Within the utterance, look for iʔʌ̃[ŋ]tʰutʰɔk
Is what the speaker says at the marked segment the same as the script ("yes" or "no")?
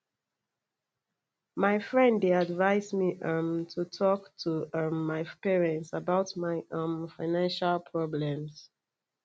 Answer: no